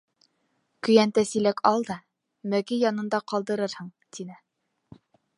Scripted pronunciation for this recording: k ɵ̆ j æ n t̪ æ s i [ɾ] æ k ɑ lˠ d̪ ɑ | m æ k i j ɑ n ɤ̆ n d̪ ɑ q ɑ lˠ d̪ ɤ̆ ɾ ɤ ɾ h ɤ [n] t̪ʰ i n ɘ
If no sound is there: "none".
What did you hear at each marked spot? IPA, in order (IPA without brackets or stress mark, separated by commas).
l, ɴ